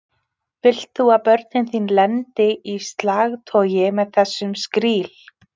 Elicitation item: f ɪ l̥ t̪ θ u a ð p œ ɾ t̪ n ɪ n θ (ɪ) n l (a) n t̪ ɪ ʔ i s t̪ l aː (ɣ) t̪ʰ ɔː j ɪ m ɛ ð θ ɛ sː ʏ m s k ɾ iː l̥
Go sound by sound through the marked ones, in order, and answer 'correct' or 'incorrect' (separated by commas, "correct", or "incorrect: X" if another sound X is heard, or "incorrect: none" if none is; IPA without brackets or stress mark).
incorrect: i, incorrect: ɛ, correct